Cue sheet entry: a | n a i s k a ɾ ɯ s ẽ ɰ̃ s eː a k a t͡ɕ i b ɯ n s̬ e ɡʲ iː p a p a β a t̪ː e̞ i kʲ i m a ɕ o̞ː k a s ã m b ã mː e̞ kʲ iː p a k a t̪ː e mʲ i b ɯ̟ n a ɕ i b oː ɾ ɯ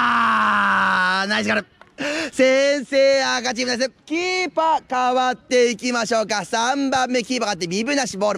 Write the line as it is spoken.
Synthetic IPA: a | n a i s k a ɾ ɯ s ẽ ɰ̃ s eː a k a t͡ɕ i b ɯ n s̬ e kʲ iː p a k a β a t̪ː e̞ i kʲ i m a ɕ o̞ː k a s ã m b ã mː e̞ kʲ iː p a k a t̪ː e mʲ i b ɯ̟ n a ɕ i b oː ɾ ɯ